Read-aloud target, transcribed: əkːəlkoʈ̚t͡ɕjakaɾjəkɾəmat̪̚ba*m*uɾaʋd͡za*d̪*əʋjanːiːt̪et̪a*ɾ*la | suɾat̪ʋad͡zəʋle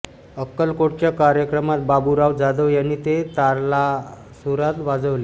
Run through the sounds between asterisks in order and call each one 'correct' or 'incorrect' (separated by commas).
incorrect, correct, correct